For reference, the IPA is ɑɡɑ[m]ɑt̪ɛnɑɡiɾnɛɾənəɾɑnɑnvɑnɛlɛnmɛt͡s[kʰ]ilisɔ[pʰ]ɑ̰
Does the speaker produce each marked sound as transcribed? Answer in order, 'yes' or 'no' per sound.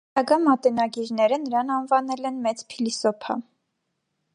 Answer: yes, no, yes

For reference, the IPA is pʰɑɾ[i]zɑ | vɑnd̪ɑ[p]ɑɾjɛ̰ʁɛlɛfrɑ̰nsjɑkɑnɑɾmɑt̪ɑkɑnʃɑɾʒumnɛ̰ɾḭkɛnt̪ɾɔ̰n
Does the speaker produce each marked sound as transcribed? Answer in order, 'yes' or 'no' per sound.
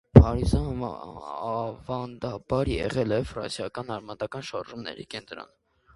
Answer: yes, no

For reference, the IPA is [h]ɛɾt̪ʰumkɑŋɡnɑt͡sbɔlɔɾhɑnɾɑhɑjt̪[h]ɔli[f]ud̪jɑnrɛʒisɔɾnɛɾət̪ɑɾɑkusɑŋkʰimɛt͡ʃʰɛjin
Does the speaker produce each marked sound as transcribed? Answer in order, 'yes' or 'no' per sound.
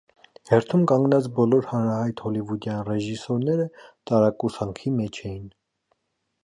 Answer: yes, yes, no

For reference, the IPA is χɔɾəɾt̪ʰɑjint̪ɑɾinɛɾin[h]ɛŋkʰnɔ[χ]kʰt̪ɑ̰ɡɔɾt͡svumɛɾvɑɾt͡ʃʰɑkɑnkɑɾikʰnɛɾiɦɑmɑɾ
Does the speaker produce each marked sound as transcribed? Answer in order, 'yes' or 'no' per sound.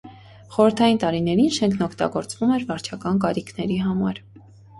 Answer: no, no

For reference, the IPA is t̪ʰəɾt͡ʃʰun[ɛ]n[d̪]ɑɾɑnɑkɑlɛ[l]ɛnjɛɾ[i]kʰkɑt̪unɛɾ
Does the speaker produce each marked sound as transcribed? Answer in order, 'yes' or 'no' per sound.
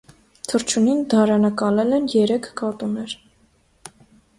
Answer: no, yes, yes, no

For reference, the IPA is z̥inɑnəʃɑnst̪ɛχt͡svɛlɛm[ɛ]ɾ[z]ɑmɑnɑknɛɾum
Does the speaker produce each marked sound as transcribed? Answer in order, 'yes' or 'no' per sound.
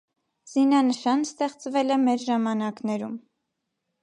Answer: yes, no

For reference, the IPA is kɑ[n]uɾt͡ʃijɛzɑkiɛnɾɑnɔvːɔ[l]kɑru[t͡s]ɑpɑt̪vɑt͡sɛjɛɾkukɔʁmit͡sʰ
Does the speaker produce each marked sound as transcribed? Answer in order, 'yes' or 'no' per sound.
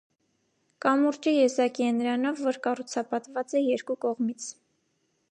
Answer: no, no, no

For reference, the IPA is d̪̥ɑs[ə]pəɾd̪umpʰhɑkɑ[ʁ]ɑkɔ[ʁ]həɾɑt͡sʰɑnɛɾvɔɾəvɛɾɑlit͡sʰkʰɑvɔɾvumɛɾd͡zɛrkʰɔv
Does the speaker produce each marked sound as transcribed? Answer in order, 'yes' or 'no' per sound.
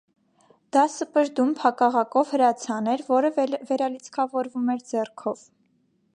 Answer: yes, yes, no

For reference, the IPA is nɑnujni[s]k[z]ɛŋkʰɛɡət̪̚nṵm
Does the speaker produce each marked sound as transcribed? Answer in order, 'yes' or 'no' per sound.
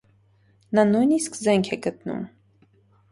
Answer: yes, yes

